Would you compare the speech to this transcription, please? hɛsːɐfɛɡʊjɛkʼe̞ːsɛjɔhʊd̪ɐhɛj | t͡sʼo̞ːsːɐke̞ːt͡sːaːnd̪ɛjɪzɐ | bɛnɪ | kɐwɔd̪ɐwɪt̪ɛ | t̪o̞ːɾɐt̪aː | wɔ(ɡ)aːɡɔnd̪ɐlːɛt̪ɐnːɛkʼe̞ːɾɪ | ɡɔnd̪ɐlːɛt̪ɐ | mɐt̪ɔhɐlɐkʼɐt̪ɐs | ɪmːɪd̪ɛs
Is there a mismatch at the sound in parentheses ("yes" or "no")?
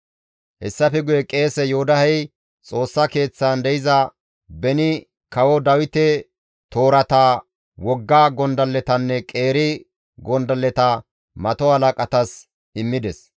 yes